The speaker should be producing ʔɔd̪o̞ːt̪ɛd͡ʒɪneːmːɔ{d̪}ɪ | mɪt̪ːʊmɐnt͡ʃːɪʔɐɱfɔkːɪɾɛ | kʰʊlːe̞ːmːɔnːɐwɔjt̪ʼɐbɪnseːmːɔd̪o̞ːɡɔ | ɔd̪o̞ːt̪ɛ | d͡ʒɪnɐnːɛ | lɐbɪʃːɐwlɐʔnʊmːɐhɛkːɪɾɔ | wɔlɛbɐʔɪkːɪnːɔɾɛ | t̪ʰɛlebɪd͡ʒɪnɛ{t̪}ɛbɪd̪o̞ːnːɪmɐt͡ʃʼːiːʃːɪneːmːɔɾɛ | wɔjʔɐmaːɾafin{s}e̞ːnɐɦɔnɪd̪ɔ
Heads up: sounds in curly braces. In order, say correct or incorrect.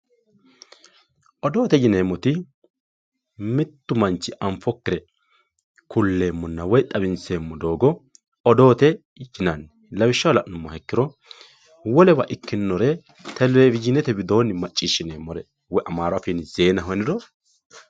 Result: incorrect: t̪, correct, incorrect: z

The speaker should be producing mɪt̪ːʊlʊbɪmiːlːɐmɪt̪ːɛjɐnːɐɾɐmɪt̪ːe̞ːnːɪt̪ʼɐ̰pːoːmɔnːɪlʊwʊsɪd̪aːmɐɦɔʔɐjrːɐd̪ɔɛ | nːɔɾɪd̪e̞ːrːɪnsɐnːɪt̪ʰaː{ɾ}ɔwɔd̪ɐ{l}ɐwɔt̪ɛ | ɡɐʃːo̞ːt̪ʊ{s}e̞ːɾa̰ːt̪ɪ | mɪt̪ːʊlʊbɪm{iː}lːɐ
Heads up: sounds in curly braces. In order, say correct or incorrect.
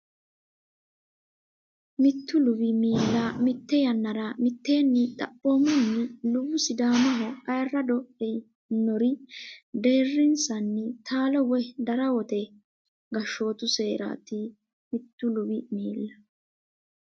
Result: incorrect: l, incorrect: ɾ, correct, correct

